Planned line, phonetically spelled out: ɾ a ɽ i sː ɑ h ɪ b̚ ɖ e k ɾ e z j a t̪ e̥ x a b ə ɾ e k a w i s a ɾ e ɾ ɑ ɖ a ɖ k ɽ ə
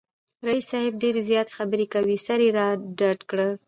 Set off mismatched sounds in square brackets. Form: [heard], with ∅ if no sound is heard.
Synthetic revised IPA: ɾ a [∅] i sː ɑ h ɪ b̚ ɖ e [∅] ɾ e z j [ɑ] t̪ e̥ x a b ə ɾ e k a w i s a ɾ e ɾ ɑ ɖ a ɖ k ɽ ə